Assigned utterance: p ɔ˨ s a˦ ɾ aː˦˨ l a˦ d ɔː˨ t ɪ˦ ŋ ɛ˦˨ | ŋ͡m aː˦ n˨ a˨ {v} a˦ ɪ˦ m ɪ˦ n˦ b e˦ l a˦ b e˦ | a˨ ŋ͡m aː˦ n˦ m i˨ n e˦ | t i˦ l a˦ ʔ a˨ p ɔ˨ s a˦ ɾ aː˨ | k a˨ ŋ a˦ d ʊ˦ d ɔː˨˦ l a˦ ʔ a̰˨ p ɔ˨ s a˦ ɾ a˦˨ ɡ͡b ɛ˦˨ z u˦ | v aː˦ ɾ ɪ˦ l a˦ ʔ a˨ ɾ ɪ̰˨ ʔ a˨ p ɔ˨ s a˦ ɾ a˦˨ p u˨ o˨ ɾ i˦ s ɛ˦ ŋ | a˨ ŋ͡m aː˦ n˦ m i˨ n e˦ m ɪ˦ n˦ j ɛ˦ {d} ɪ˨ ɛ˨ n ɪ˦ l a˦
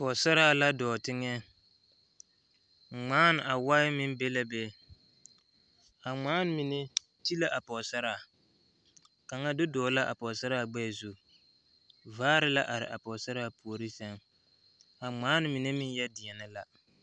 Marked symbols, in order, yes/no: no, yes

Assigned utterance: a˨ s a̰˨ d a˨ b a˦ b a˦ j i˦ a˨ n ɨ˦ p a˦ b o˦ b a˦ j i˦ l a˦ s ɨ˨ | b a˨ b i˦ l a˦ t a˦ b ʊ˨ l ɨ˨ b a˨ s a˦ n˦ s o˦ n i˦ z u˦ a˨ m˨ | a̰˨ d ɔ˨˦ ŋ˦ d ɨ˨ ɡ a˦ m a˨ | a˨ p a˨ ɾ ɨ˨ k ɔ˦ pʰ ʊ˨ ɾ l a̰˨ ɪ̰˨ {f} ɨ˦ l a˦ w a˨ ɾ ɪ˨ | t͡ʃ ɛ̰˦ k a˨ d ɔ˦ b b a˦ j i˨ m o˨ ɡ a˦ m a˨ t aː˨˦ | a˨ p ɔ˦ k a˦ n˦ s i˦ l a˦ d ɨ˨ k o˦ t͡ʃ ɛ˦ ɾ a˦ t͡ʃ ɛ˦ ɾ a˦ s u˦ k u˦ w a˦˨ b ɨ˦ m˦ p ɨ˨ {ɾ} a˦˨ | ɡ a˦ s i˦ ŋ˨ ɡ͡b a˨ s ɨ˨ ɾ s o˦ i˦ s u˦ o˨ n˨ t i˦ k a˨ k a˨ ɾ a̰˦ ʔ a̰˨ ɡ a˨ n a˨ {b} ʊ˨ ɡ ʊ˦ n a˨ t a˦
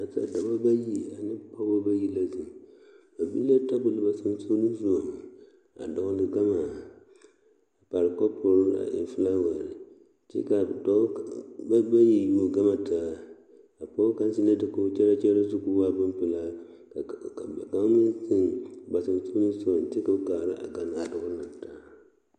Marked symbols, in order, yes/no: yes, no, no

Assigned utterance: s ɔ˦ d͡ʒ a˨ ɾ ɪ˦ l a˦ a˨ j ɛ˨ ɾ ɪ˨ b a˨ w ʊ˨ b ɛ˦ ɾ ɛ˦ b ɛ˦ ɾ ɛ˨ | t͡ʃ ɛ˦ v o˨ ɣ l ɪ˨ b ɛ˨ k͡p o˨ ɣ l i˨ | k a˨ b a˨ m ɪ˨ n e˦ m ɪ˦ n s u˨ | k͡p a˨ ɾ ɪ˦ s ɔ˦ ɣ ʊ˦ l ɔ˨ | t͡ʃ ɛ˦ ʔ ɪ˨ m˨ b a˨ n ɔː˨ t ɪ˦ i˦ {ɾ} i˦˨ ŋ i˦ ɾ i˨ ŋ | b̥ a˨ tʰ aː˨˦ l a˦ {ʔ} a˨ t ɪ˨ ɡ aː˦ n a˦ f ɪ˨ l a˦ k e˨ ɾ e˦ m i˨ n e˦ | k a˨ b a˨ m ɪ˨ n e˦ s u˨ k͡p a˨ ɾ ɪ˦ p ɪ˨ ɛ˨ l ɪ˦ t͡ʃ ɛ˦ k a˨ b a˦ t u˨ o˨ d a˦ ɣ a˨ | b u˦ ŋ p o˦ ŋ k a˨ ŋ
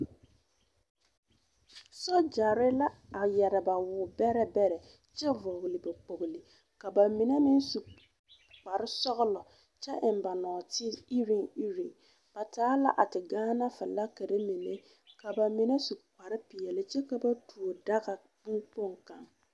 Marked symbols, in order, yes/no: yes, yes

